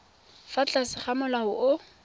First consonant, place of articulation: labial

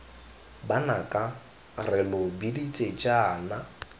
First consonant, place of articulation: labial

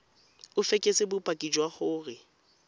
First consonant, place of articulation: labial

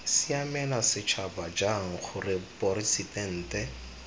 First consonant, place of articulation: alveolar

